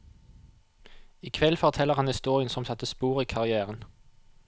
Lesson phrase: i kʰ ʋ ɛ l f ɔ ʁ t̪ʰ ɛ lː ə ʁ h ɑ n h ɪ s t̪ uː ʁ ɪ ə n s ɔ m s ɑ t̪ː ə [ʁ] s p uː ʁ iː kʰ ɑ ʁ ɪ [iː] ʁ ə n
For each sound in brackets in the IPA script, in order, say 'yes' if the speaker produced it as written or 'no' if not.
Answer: no, no

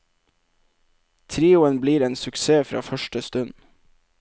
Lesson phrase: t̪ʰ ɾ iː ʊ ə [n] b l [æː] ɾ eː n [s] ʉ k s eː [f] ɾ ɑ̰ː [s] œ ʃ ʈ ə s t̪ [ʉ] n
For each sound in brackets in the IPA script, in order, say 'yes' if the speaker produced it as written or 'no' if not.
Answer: yes, no, yes, yes, no, yes

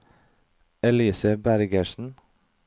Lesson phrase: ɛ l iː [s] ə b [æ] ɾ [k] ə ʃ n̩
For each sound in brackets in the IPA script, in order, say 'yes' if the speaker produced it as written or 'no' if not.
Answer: yes, yes, no

